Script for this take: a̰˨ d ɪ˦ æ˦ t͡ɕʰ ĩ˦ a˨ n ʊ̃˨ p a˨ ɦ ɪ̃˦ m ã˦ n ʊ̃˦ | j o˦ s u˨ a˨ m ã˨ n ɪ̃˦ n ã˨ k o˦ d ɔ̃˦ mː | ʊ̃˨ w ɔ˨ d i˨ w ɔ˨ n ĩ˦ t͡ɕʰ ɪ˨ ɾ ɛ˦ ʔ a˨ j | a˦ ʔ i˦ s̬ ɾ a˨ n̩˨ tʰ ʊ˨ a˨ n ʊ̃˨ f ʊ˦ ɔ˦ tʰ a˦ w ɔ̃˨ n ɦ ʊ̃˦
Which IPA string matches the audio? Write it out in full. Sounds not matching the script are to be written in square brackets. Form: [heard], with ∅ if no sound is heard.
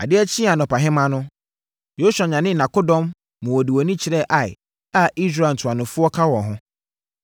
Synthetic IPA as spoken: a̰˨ d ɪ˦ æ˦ t͡ɕʰ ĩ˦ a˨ n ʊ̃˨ p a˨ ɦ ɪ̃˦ m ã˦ n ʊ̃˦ | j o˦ s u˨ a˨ [ɲ] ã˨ n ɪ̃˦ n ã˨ k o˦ d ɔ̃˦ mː | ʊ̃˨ w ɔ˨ d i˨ w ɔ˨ n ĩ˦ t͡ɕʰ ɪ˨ ɾ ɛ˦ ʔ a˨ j | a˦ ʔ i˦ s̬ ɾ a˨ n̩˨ tʰ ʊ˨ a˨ n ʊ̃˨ f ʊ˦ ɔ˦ [kʰ] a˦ w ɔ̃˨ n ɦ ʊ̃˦

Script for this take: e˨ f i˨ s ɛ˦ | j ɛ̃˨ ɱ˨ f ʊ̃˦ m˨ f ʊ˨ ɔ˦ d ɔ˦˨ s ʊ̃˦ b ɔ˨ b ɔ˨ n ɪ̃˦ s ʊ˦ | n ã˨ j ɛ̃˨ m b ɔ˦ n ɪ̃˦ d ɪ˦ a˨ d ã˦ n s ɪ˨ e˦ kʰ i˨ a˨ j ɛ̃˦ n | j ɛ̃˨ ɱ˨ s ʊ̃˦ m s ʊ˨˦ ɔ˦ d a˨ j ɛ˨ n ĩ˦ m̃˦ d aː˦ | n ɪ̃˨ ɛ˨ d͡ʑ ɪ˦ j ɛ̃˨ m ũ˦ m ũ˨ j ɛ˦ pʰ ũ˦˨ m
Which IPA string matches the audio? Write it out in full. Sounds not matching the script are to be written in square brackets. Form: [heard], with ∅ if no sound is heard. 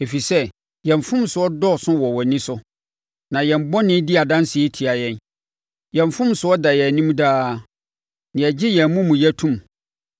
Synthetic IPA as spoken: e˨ f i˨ s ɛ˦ | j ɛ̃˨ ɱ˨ f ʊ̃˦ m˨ [s] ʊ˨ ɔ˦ d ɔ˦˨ s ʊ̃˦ [w] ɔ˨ [w] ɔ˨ n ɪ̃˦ s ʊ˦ | n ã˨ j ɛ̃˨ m b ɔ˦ n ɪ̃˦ d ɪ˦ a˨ d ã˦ n s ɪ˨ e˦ [tʰ] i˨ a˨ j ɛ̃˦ n | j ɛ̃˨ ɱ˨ [f] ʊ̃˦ m s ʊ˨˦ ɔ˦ d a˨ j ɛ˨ n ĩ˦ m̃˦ d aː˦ | n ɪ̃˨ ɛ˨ d͡ʑ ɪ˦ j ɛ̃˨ m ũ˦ m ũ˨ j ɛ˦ [tʰ] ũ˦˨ m

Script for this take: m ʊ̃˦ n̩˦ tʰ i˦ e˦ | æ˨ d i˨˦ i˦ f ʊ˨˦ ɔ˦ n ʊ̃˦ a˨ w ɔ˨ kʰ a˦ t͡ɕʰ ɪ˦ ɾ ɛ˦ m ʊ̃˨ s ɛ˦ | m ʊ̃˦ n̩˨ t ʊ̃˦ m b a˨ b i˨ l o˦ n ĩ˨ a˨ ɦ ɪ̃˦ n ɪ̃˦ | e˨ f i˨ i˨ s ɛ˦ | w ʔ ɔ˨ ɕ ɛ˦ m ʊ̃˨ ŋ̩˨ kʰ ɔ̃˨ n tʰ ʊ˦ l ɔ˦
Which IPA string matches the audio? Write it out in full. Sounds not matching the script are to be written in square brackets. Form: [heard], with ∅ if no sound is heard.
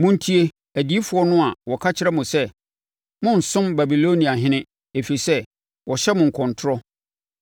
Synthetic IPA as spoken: m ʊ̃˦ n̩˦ tʰ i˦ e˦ | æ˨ d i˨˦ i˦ f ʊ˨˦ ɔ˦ n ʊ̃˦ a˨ w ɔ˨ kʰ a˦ t͡ɕʰ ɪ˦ ɾ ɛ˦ m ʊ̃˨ s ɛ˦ | m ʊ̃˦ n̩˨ [s] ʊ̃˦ m b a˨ b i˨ l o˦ n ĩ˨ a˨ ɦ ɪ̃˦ n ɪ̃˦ | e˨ f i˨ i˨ s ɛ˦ | w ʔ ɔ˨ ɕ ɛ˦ m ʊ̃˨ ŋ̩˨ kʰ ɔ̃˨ n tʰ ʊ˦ [ɾ] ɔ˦

